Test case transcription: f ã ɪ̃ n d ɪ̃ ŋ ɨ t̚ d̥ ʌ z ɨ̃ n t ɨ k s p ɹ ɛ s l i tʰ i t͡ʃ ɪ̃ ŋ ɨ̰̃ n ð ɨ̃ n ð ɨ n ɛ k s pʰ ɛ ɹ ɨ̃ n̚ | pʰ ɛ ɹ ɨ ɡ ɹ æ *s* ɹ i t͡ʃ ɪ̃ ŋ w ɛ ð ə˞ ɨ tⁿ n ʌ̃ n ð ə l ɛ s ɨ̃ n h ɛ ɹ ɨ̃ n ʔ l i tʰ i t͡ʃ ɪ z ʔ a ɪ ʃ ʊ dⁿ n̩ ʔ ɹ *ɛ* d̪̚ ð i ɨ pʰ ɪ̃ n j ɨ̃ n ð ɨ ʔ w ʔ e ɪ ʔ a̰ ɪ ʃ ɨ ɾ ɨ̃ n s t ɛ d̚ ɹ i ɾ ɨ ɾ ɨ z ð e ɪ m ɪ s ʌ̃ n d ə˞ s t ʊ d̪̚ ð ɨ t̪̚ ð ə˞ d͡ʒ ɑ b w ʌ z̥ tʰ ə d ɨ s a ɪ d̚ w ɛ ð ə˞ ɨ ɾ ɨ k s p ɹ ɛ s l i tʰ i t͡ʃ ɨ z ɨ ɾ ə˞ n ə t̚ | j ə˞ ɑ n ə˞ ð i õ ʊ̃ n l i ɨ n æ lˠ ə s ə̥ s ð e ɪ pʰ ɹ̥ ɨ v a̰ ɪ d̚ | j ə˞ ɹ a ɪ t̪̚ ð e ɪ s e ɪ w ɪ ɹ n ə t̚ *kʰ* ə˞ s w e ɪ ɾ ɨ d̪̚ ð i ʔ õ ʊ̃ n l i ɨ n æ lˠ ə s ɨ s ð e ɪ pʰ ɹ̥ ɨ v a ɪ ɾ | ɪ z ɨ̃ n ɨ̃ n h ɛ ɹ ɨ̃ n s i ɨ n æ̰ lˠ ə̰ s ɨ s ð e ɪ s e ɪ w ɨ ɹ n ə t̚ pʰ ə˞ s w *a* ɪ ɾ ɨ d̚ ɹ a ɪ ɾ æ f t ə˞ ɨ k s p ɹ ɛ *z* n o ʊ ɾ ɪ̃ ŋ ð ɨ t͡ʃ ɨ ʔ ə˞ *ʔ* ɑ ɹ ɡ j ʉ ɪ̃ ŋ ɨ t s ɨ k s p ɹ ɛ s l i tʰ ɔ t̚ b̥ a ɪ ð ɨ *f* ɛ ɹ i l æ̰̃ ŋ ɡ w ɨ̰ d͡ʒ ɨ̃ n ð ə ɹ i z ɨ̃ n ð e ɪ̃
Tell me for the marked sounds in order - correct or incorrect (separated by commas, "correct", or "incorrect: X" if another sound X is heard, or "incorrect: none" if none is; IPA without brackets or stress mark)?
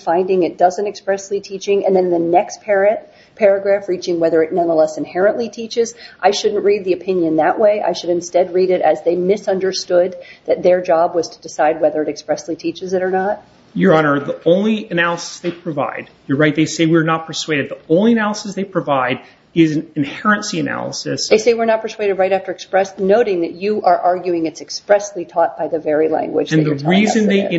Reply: incorrect: f, incorrect: i, incorrect: pʰ, incorrect: e, incorrect: s, correct, incorrect: v